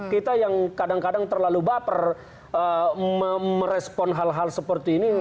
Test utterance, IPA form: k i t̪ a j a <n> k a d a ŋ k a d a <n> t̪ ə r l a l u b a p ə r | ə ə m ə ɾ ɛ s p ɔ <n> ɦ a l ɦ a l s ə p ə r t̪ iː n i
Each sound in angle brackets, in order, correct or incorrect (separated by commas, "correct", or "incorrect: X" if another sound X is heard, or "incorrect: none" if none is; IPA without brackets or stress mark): incorrect: ŋ, incorrect: ŋ, correct